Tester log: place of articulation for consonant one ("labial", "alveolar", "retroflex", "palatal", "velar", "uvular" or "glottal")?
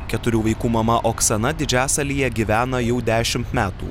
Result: velar